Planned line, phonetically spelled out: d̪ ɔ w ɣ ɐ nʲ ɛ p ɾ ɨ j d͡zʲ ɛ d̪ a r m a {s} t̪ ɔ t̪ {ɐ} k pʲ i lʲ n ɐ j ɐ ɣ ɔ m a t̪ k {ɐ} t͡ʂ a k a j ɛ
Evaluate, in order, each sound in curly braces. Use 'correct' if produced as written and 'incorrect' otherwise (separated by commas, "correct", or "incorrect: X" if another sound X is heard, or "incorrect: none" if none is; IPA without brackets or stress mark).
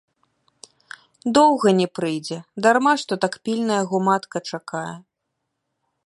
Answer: incorrect: ʂ, incorrect: a, correct